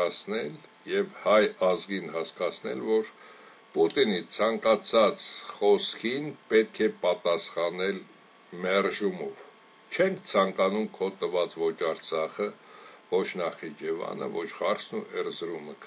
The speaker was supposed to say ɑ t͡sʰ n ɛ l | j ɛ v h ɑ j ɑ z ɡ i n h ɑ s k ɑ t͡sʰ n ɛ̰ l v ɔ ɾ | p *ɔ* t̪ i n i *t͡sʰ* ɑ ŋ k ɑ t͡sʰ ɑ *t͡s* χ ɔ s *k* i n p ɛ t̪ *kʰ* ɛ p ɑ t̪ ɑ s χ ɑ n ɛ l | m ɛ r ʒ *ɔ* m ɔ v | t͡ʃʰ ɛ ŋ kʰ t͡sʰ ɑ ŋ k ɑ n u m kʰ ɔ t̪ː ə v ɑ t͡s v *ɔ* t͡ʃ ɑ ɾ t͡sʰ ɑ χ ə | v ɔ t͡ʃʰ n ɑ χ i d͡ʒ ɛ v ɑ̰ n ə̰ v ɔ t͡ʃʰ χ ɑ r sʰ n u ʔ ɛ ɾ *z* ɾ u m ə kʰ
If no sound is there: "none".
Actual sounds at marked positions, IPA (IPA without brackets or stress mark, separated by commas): u, t͡sʰ, t͡s, kʰ, kʰ, u, ɔ, z